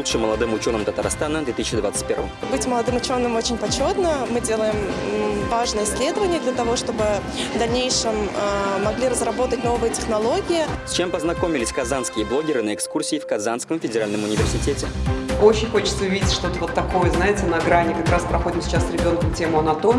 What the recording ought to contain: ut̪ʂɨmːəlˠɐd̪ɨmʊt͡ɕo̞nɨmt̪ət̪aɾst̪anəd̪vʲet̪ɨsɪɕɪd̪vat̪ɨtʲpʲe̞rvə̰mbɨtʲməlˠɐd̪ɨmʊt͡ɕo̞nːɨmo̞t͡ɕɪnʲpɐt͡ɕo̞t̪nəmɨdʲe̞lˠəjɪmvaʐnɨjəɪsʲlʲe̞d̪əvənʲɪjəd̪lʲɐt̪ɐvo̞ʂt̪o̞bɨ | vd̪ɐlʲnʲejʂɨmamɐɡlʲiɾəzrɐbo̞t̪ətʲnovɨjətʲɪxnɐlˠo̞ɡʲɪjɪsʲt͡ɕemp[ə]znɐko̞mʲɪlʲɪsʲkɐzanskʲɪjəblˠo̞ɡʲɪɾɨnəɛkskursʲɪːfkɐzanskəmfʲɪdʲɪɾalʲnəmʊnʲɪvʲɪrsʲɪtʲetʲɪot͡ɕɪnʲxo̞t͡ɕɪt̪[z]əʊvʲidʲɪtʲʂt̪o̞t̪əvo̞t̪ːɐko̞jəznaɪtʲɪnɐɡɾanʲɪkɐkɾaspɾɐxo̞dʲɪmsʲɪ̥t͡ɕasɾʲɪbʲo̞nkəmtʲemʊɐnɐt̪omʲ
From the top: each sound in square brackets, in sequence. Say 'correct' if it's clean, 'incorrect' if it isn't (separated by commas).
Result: correct, incorrect